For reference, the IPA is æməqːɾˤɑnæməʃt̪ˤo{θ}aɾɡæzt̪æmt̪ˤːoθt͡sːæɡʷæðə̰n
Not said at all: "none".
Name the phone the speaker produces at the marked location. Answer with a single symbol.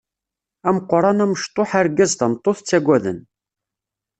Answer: ħ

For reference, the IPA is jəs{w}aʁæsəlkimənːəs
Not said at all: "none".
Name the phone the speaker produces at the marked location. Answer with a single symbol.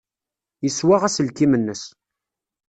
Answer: w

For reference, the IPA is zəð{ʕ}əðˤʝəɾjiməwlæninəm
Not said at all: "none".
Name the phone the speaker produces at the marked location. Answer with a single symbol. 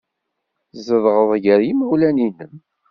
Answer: ʁ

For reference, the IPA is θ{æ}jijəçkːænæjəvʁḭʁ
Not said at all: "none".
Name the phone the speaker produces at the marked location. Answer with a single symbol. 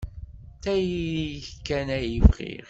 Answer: æ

